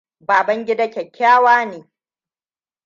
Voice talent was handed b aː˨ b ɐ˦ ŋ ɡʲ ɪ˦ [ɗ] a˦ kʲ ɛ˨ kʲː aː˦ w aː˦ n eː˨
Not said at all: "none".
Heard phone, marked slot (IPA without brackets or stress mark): d